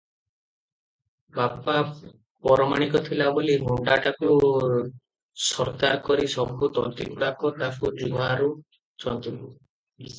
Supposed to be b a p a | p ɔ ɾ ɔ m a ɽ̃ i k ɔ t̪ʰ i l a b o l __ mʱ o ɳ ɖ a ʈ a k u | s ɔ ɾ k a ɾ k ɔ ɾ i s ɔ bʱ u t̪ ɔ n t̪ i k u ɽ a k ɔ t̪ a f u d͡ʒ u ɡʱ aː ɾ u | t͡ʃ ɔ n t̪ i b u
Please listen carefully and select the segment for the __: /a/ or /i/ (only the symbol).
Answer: i